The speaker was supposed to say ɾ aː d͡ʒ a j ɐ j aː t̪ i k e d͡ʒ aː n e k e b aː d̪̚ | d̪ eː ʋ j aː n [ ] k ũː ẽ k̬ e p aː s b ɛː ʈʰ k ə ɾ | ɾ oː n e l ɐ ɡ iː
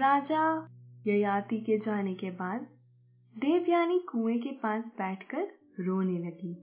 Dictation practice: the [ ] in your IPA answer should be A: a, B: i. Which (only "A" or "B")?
B